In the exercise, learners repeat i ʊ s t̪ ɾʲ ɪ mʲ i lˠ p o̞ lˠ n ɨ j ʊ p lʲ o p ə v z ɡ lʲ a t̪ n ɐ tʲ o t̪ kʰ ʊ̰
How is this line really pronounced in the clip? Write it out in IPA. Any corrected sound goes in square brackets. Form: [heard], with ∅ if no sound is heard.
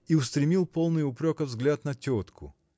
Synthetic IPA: i ʊ s t̪ ɾʲ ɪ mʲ i lˠ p o̞ lˠ n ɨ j ʊ p [ɾʲ] o [k] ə v z ɡ lʲ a t̪ n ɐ tʲ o t̪ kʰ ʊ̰

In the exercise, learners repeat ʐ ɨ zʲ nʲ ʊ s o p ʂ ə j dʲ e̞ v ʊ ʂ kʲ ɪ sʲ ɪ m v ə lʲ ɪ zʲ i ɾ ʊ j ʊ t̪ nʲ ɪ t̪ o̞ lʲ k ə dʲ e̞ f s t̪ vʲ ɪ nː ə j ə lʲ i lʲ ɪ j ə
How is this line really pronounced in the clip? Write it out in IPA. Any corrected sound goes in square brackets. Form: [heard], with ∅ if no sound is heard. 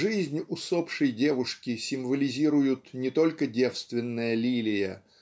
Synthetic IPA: ʐ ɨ zʲ nʲ ʊ s o p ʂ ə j dʲ e̞ v ʊ ʂ kʲ ɪ sʲ ɪ m v ə lʲ ɪ zʲ i ɾ ʊ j ʊ t̪ nʲ ɪ t̪ o̞ lʲ k ə dʲ e̞ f s t̪ vʲ ɪ nː ə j ə lʲ i lʲ ɪ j ə

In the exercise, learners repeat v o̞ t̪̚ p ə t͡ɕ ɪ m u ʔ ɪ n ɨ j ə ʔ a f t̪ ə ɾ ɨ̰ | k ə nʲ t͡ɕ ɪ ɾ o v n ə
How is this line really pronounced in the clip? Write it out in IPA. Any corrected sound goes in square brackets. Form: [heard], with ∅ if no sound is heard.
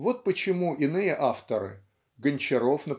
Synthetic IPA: v o̞ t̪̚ p ə t͡ɕ ɪ m u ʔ ɪ n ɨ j ə ʔ a f t̪ ə ɾ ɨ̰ | [ɡ] ə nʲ t͡ɕ ɪ ɾ o [f] n ə

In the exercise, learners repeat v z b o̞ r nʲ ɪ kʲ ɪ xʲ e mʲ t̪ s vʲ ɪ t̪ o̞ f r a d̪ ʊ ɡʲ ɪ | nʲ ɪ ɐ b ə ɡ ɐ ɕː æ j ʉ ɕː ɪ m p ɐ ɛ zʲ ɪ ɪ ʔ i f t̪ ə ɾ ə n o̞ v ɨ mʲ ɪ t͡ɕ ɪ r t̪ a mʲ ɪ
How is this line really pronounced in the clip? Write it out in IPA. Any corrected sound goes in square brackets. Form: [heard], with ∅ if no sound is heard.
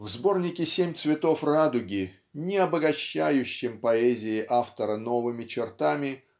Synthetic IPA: v z b o̞ r nʲ ɪ kʲ ɪ [sʲ] e mʲ t̪ s vʲ ɪ t̪ o̞ f r a d̪ ʊ ɡʲ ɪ | nʲ ɪ ɐ b ə ɡ ɐ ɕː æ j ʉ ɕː ɪ m p ɐ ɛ zʲ ɪ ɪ ʔ [a] f t̪ ə ɾ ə n o̞ v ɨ mʲ ɪ t͡ɕ ɪ r t̪ a mʲ ɪ

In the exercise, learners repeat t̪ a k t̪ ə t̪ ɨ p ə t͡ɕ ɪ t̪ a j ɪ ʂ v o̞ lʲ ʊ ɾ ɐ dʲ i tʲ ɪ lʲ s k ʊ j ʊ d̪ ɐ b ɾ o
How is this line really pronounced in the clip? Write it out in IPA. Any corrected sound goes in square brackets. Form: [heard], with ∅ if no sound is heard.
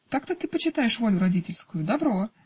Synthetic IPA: t̪ a k t̪ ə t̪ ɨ p ə t͡ɕ ɪ t̪ a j ɪ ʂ v o̞ lʲ ʊ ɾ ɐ dʲ i tʲ ɪ lʲ s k ʊ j ʊ d̪ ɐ b ɾ o

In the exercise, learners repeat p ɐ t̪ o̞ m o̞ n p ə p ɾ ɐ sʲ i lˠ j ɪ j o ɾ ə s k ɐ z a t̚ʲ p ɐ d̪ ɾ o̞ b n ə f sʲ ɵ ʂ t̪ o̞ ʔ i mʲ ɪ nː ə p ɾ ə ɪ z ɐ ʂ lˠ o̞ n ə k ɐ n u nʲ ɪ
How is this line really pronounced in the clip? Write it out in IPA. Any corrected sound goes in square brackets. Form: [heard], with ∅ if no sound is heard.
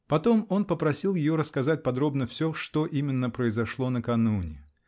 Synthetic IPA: p ɐ t̪ o̞ m o̞ n p ə p ɾ ɐ sʲ i lˠ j ɪ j o ɾ ə s k ɐ z a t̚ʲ p ɐ d̪ ɾ o̞ b n ə f sʲ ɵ ʂ t̪ o̞ ʔ i mʲ ɪ nː ə p ɾ ə ɪ z ɐ ʂ lˠ o̞ n ə k ɐ n u nʲ ɪ

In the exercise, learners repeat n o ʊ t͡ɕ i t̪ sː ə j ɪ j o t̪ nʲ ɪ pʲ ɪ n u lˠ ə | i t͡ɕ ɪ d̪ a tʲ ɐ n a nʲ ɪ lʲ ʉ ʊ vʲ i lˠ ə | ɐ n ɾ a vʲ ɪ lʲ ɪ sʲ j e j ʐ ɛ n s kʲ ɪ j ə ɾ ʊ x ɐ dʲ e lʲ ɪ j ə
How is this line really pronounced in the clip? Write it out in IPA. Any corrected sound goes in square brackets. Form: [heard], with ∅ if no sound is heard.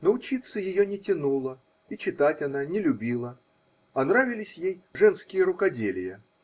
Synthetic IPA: n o ʊ t͡ɕ i t̪ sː ə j ɪ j o [∅] nʲ ɪ [tʲ] ɪ n u lˠ ə | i t͡ɕ ɪ [t̪] a tʲ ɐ n a nʲ ɪ lʲ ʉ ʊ [bʲ] i lˠ ə | ɐ n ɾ a vʲ ɪ lʲ ɪ sʲ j e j ʐ ɛ n s kʲ ɪ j ə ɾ ʊ [k] ɐ dʲ e lʲ ɪ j ə

